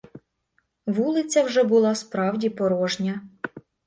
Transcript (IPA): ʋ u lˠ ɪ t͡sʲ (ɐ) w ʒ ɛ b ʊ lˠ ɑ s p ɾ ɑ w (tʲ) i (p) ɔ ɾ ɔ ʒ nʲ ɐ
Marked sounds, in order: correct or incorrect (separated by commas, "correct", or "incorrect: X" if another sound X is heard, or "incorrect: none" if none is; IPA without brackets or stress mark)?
correct, incorrect: dʲ, correct